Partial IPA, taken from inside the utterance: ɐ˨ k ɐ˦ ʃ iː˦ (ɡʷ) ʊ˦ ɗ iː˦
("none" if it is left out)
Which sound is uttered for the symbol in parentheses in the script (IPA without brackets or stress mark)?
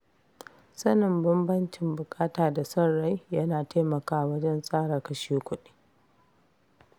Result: kʷ